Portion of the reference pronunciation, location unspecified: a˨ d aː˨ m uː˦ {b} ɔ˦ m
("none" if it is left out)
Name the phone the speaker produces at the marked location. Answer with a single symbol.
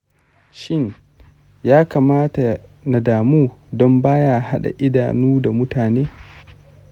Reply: d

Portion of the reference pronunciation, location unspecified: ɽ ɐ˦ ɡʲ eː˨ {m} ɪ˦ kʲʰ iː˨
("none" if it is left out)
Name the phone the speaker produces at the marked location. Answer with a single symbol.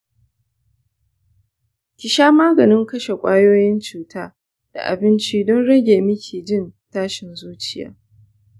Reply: m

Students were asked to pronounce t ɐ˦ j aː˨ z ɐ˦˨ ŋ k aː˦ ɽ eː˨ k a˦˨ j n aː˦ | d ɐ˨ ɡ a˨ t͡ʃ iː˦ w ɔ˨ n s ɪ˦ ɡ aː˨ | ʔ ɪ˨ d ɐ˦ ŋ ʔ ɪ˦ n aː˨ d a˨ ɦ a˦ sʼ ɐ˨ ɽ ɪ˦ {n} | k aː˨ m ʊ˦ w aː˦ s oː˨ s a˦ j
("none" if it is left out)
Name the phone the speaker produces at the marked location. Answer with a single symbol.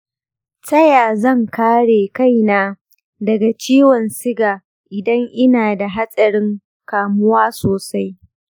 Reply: ŋ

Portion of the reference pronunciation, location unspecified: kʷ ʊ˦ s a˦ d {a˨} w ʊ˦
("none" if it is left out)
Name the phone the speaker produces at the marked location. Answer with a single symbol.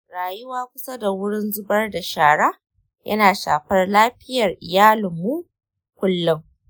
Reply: a˨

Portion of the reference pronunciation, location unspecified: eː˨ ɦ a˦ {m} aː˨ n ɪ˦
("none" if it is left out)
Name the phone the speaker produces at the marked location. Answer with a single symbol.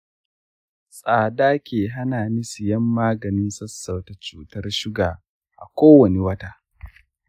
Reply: n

